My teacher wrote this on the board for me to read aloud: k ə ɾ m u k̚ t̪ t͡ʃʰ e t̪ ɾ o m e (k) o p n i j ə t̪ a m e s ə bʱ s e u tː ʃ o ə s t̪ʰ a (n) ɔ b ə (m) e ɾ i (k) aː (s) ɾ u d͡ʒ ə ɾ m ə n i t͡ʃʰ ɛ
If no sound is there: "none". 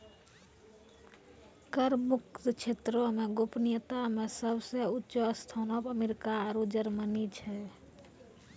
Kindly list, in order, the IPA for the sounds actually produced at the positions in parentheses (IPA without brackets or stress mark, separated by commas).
ɡ, n, m, k, none